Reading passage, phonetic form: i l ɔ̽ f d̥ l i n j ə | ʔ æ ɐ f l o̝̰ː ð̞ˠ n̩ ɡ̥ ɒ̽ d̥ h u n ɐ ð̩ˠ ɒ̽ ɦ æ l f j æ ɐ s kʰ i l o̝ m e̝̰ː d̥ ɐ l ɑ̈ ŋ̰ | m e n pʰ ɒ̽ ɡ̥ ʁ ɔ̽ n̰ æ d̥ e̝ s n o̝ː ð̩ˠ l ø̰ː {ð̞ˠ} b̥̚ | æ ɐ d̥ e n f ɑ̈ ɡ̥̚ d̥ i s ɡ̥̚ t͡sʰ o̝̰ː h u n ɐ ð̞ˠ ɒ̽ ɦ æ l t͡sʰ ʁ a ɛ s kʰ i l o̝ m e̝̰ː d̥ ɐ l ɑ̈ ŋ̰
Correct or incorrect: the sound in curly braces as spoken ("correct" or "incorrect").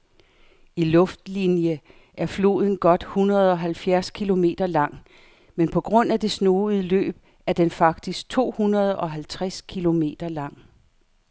incorrect